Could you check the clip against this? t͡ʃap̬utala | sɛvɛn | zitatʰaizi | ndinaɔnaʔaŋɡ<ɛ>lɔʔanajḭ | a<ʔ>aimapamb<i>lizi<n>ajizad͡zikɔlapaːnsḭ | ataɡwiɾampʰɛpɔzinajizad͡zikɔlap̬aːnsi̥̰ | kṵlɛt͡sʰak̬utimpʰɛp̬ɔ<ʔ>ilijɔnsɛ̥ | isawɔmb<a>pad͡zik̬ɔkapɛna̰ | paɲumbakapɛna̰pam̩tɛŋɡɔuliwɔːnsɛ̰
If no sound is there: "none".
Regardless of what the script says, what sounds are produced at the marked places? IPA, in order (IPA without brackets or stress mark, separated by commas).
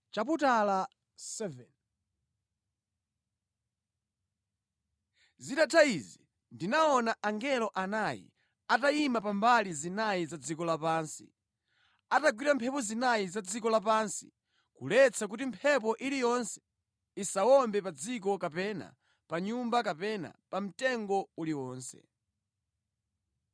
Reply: ɛ, t, a, n, ʔ, ɛ